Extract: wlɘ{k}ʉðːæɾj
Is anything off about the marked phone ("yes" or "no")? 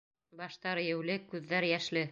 no